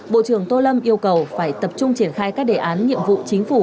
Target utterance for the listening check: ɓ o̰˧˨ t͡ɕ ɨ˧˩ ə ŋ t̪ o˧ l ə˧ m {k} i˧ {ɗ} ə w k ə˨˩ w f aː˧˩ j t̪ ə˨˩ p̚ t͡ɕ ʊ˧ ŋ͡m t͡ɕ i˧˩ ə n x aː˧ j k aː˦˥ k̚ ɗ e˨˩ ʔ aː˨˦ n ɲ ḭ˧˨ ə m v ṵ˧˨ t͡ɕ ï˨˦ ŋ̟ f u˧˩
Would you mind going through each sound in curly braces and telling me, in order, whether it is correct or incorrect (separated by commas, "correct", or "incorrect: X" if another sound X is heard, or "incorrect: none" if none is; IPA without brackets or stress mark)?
incorrect: ʔ, incorrect: none